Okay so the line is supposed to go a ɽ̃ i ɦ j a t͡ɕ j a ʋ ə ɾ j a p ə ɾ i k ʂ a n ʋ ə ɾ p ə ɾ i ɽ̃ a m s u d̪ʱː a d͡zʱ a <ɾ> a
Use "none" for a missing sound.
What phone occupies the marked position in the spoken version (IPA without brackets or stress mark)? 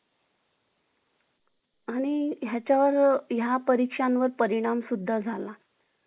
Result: l